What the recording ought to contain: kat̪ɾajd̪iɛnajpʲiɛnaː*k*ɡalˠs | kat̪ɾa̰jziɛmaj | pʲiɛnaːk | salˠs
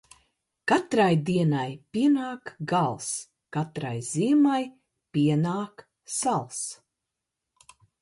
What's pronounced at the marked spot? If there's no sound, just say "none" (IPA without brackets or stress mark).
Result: k